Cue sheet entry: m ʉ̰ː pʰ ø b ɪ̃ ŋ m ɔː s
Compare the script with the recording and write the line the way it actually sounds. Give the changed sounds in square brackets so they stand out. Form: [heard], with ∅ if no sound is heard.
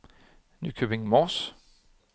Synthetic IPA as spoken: [n] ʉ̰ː [kʰ] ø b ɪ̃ ŋ m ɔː s